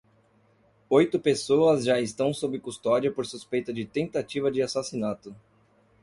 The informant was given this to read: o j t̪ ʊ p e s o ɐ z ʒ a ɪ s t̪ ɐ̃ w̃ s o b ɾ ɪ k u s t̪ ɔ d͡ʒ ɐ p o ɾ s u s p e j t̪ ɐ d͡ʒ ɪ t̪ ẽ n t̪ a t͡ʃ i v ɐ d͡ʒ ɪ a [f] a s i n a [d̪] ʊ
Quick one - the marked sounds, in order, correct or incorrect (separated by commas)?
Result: incorrect, incorrect